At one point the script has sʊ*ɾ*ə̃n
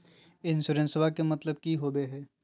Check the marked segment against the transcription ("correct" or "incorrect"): correct